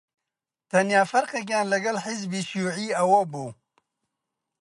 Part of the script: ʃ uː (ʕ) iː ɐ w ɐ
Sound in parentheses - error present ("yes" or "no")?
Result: no